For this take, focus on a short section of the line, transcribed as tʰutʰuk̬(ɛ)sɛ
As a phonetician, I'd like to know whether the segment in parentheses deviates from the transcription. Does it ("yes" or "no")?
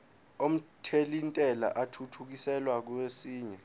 yes